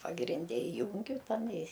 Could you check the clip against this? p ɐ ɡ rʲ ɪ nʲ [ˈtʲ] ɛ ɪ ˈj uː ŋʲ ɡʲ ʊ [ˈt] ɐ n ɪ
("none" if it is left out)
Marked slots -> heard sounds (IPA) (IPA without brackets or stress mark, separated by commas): dʲ, t